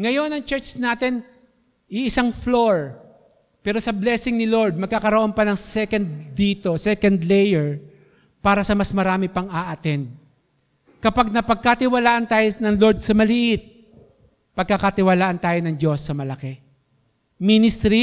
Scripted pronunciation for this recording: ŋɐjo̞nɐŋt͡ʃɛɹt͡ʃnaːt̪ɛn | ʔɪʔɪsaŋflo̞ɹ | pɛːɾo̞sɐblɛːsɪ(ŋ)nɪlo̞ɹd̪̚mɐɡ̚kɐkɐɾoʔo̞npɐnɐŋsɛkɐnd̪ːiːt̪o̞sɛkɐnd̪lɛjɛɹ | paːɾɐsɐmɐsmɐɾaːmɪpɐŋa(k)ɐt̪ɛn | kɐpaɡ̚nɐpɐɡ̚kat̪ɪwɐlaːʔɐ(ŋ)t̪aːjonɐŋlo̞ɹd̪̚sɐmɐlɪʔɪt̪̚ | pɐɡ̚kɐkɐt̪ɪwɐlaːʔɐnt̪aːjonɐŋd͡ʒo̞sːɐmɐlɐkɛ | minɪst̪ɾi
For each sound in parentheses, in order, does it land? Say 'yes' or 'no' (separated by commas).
yes, no, no